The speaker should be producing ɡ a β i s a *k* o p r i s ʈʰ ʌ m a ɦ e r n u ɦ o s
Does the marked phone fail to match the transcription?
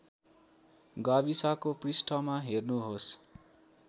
no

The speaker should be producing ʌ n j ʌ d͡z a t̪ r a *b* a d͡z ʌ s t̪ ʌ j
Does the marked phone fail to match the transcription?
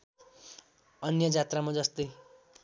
yes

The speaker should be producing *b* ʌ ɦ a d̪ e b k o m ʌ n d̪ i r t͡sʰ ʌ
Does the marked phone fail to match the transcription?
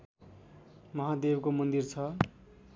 yes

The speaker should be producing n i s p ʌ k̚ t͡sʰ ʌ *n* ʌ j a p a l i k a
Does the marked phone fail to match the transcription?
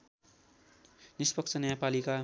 no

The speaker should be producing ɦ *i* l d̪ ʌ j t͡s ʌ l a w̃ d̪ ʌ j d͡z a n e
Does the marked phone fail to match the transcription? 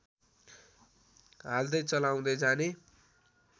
yes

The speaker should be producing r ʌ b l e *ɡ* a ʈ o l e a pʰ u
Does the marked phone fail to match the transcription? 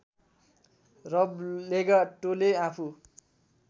no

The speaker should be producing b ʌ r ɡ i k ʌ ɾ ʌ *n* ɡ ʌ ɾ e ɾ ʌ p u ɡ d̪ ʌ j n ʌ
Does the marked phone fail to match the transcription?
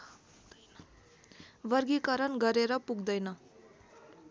no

